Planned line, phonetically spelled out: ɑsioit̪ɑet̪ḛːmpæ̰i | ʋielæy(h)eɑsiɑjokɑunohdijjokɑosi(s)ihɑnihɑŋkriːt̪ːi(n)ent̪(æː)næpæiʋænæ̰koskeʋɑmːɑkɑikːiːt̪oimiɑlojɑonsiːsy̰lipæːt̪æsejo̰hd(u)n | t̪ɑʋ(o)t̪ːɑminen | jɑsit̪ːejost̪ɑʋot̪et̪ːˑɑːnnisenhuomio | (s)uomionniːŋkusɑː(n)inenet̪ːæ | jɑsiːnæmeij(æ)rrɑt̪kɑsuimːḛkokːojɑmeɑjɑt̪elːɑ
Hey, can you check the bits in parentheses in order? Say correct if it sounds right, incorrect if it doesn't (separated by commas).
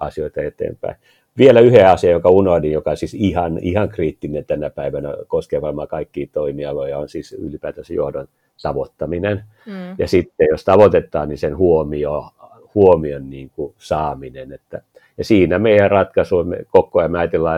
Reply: correct, correct, correct, incorrect, incorrect, correct, incorrect, incorrect, correct